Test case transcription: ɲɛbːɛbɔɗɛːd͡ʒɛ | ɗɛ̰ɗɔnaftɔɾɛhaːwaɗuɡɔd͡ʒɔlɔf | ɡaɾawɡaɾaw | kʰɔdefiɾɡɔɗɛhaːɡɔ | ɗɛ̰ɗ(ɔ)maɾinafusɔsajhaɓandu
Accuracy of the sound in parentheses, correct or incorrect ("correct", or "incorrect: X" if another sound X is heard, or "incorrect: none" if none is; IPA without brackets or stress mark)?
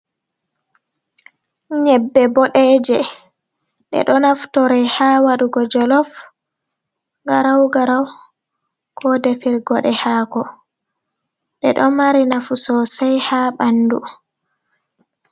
correct